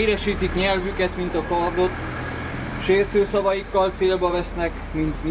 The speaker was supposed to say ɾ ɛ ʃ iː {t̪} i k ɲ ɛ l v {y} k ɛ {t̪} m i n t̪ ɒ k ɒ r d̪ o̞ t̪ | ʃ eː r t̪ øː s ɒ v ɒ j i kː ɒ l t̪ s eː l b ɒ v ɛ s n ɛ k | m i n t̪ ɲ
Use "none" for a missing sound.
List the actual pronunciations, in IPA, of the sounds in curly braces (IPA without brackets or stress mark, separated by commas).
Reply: t̪, y, t̪